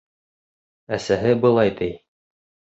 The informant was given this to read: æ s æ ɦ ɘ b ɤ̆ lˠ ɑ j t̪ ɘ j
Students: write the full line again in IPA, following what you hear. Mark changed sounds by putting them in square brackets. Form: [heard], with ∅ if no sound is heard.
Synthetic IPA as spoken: æ s æ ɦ ɘ b ɤ̆ lˠ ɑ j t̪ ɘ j